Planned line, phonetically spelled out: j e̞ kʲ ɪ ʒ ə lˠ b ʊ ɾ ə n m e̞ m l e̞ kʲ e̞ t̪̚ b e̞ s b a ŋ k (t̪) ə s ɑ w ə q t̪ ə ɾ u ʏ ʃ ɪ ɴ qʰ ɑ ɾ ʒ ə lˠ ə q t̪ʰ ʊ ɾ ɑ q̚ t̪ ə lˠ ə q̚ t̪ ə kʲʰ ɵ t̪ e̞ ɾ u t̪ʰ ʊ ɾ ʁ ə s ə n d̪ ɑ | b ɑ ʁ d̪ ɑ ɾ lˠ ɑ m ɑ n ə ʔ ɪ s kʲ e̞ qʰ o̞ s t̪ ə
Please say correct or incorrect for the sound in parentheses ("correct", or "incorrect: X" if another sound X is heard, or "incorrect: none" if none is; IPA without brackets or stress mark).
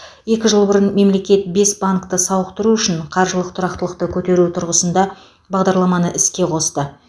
correct